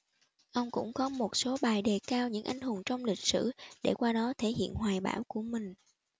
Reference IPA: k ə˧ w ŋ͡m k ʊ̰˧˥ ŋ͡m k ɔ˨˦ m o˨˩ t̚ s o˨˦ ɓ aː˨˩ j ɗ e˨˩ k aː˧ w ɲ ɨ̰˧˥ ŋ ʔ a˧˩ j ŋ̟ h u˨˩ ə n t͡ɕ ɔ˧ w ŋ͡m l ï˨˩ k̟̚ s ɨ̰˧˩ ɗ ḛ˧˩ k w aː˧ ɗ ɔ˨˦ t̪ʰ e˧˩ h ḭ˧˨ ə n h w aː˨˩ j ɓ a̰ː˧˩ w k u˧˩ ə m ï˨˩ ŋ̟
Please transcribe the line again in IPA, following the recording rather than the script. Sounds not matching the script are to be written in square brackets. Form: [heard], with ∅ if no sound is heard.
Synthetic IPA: [ʔ] ə˧ w ŋ͡m k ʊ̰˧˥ ŋ͡m k ɔ˨˦ m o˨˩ t̚ s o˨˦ ɓ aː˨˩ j ɗ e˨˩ k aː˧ w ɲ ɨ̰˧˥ ŋ ʔ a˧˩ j ŋ̟ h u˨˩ ə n t͡ɕ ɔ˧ w ŋ͡m l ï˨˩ k̟̚ s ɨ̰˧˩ ɗ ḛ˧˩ k w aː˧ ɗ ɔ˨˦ t̪ʰ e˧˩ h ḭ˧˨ ə n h w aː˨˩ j ɓ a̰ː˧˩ w k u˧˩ ə m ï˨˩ ŋ̟